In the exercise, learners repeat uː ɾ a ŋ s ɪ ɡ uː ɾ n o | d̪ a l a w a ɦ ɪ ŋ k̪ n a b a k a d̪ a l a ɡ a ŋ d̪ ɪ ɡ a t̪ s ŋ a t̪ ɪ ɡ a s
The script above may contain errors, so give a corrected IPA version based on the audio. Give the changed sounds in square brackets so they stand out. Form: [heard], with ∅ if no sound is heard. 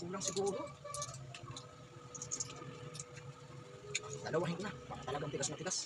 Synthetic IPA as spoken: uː [l] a ŋ s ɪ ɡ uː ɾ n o | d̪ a l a w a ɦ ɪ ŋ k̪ n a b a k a [t̪] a l a ɡ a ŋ [t̪] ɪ ɡ a [∅] s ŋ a t̪ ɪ ɡ a s